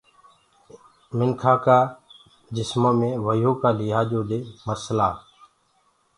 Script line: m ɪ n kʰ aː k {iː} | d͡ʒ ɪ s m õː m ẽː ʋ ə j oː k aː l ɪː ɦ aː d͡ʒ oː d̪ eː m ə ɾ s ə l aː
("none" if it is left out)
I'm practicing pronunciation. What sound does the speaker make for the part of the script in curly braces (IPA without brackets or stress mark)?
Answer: aː